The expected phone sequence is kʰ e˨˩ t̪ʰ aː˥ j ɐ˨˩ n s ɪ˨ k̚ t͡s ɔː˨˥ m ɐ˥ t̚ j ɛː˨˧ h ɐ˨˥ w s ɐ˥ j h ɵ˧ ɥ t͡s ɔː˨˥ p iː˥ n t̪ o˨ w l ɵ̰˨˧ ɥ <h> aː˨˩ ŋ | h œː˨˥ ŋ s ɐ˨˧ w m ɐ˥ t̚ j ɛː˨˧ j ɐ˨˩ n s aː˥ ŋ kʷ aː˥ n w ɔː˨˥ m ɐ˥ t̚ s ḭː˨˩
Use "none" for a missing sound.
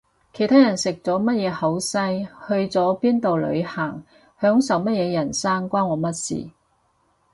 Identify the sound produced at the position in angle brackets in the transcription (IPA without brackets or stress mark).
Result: h